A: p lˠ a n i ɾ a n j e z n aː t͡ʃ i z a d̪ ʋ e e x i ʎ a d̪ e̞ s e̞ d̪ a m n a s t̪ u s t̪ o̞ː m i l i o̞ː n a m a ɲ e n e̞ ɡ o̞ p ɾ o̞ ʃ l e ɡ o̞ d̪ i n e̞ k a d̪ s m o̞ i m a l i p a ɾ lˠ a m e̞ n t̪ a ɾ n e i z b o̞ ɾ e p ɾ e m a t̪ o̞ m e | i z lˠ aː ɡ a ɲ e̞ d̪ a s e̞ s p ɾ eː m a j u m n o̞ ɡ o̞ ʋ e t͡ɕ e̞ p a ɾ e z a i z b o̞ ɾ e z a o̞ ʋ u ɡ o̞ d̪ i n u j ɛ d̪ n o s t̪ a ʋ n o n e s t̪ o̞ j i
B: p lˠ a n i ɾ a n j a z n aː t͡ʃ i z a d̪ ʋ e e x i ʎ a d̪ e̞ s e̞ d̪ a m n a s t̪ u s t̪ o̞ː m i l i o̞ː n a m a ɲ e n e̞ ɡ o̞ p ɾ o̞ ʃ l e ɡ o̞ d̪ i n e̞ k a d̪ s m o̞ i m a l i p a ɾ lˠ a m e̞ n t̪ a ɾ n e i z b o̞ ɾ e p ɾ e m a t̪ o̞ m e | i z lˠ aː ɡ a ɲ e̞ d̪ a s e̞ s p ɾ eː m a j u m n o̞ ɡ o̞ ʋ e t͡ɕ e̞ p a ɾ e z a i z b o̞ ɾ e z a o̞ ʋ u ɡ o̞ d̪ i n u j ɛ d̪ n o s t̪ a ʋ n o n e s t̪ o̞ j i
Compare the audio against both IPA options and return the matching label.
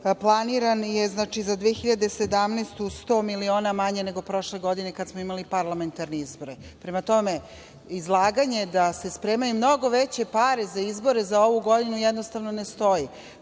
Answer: A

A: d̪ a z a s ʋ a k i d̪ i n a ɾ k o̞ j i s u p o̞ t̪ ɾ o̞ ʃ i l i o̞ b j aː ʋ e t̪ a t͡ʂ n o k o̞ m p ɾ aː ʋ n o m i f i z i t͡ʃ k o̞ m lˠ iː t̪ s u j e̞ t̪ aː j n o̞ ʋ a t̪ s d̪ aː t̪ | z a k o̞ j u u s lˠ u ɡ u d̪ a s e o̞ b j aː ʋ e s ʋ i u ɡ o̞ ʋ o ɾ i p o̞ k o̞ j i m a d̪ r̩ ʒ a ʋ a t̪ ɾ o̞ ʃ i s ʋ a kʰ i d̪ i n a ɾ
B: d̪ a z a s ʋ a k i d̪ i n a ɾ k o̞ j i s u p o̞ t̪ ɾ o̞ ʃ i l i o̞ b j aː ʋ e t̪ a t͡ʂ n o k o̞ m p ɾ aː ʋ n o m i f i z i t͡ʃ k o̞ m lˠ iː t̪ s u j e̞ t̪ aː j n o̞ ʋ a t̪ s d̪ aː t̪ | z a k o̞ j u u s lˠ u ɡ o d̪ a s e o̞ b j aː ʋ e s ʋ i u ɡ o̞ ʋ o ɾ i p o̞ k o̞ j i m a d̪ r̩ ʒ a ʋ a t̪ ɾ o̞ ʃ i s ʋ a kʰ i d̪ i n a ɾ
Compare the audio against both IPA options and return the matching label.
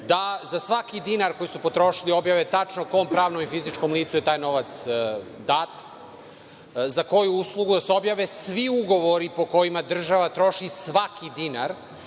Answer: A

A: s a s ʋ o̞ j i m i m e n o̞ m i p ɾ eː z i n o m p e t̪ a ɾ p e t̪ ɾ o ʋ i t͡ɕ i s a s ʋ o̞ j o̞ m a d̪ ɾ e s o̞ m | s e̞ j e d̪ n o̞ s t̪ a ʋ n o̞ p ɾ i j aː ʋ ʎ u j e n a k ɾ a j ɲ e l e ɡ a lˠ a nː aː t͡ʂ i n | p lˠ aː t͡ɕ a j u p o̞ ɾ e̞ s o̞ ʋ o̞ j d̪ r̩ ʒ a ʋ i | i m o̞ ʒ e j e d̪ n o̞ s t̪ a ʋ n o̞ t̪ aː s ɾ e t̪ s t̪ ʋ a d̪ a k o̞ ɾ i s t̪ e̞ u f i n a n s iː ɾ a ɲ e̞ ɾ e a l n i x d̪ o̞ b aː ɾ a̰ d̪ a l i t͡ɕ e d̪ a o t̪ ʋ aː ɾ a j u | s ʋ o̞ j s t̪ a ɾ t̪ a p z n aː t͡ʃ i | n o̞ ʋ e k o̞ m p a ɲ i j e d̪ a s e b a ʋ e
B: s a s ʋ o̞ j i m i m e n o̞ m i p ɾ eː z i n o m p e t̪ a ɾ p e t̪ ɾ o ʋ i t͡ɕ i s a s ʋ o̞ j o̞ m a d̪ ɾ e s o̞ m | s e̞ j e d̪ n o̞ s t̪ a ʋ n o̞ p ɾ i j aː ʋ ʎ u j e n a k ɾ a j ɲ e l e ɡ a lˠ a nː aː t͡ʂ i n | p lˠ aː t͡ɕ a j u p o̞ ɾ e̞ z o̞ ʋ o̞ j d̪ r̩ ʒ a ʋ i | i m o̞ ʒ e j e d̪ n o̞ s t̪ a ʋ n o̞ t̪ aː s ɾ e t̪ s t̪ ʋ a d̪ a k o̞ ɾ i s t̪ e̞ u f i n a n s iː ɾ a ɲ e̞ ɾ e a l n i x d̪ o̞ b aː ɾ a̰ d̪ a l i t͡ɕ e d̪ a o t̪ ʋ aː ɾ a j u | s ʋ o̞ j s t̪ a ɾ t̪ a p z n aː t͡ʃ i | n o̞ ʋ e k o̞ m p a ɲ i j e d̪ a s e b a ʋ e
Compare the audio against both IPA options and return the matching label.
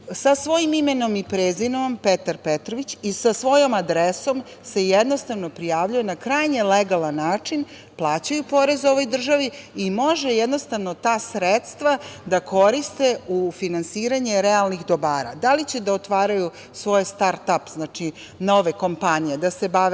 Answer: B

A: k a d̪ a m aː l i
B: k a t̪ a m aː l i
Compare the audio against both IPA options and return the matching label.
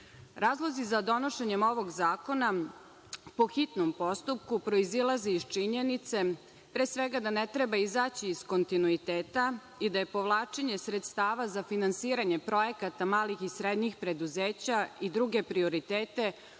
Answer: B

